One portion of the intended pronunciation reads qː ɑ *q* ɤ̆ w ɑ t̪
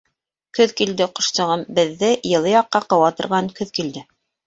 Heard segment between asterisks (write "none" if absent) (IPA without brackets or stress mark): q